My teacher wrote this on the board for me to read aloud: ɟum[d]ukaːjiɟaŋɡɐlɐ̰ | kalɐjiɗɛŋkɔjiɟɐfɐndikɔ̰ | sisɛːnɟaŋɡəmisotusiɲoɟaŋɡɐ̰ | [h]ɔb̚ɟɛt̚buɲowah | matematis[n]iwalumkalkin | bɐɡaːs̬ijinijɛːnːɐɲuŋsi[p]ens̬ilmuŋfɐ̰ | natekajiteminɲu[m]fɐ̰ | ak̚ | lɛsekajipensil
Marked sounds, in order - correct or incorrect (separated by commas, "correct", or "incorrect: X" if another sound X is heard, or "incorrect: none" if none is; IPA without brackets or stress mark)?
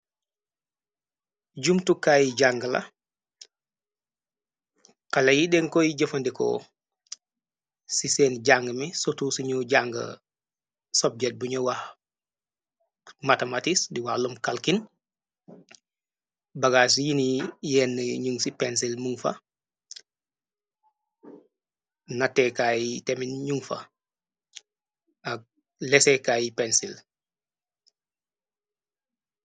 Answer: incorrect: t, incorrect: s, incorrect: d, correct, incorrect: ŋ